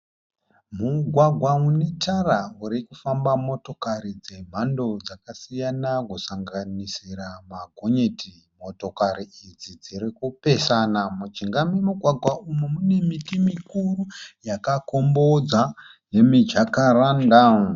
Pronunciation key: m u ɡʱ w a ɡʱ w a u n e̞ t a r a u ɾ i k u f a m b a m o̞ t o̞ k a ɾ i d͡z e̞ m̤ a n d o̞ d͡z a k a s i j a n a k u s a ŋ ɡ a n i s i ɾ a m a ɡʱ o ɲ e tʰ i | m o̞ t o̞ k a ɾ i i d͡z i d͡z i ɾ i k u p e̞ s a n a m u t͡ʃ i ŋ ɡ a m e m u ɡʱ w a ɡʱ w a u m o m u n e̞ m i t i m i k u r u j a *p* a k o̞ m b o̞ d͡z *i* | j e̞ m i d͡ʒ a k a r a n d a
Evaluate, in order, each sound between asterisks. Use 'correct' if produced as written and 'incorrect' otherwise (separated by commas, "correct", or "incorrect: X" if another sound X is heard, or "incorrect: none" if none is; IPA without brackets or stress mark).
incorrect: k, incorrect: a